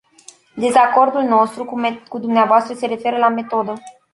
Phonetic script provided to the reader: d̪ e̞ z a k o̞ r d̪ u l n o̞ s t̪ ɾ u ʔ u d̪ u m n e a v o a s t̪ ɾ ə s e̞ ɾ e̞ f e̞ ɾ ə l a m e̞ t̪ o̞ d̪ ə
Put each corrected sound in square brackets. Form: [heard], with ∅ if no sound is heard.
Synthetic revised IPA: d̪ e̞ z a k o̞ r d̪ u l n o̞ s t̪ ɾ u [k] u d̪ u m n e a v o a s t̪ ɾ ə s e̞ ɾ e̞ f e̞ ɾ ə l a m e̞ t̪ o̞ d̪ ə

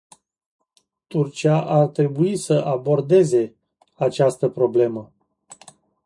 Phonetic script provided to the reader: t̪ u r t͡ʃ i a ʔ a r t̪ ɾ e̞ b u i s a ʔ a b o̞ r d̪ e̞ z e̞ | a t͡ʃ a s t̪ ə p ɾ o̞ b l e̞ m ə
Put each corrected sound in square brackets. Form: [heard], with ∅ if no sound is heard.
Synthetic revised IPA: t̪ u r t͡ʃ i a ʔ a r t̪ ɾ e̞ b u i s [ə] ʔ a b o̞ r d̪ e̞ z e̞ | a t͡ʃ a s t̪ ə p ɾ o̞ b l e̞ m ə

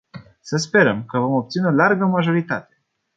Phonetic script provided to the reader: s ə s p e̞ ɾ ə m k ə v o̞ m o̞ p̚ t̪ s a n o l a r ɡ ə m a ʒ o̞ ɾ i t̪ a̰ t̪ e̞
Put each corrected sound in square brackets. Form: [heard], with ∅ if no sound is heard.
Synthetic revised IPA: s ə s p e̞ ɾ ə m k ə v o̞ m o̞ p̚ t̪ s [i] n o l a r ɡ ə m a ʒ o̞ ɾ i t̪ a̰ t̪ e̞

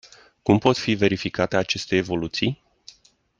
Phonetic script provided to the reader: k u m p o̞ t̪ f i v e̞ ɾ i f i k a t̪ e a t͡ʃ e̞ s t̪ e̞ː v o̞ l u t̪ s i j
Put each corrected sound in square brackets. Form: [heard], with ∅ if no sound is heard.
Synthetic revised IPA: k u m p o̞ t̪ f i v e̞ ɾ i f i k a t̪ e a t͡ʃ e̞ s t̪ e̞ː v o̞ l u t̪ s i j

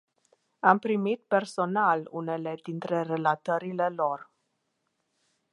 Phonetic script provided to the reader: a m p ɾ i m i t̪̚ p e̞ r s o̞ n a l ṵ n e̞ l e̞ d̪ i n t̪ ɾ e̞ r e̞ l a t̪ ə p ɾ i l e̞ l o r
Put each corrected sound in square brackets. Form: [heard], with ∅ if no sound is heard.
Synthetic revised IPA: a m p ɾ i m i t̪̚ p e̞ r s o̞ n a l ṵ n e̞ l e̞ d̪ i n t̪ ɾ e̞ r e̞ l a t̪ ə [∅] ɾ i l e̞ l o r

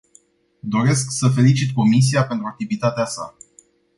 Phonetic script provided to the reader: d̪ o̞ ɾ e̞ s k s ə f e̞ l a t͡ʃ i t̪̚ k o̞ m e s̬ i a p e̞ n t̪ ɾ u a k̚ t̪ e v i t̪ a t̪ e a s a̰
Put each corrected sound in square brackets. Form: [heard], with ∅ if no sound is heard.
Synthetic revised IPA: d̪ o̞ ɾ e̞ s k s ə f e̞ l [i] t͡ʃ i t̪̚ k o̞ m [i] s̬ i a p e̞ n t̪ ɾ u a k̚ t̪ [i] v i t̪ a t̪ e a s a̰

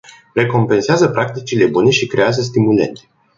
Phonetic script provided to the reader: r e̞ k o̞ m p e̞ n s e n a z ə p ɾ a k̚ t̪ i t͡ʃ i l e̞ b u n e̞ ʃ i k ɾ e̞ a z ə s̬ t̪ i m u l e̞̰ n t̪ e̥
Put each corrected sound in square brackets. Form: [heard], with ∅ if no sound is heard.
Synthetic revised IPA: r e̞ k o̞ m p e̞ n s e [∅] a z ə p ɾ a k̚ t̪ i t͡ʃ i l e̞ b u n e̞ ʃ i k ɾ e̞ a z ə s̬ t̪ i m u l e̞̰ n t̪ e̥

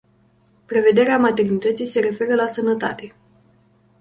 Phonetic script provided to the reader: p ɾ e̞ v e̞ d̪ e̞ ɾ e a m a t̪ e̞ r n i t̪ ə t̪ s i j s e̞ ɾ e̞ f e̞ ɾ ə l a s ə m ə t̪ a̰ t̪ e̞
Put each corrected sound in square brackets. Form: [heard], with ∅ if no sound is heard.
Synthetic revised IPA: p ɾ e̞ v e̞ d̪ e̞ ɾ e a m a t̪ e̞ r n i t̪ ə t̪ s i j s e̞ ɾ e̞ f e̞ ɾ ə l a s ə [n] ə t̪ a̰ t̪ e̞

